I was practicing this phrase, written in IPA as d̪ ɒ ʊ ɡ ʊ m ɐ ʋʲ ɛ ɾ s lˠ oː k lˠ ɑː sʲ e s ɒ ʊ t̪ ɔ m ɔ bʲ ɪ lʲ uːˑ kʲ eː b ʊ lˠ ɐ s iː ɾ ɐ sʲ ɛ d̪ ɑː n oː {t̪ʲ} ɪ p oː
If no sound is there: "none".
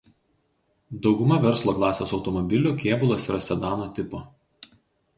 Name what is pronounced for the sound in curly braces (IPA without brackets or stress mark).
t̪ʲ